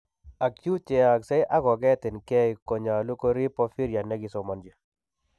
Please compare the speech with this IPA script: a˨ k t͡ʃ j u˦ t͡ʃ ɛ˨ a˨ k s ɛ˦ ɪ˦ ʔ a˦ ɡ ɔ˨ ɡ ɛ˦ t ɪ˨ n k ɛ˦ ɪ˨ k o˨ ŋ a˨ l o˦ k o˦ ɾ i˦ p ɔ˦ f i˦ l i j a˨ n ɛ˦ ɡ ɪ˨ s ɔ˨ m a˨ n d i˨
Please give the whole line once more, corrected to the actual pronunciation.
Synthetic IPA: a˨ k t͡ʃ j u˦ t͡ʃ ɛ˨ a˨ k s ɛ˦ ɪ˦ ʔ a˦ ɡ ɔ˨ ɡ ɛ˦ t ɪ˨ n k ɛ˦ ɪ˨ k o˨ ɲ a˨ l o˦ k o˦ ɾ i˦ p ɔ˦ f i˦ ɾ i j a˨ n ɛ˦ ɡ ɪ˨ s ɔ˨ m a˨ n d͡ʒ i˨